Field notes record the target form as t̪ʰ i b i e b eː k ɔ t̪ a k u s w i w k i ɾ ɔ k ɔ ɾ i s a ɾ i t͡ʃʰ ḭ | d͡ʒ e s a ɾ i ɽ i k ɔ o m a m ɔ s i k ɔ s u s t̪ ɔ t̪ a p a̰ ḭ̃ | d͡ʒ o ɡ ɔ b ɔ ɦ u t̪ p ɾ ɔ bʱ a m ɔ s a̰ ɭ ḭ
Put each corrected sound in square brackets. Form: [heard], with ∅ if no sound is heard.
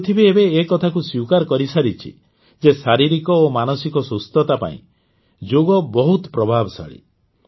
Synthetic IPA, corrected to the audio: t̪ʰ i b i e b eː k ɔ [t̪ʰ] a k u s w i w k [a] ɾ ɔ k ɔ ɾ i s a ɾ i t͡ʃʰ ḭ | d͡ʒ e s a ɾ i [ɾ] i k ɔ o m a [n] ɔ s i k ɔ s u s t̪ ɔ t̪ a p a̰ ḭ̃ | d͡ʒ o ɡ ɔ b ɔ ɦ u t̪ p ɾ ɔ bʱ a [b] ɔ s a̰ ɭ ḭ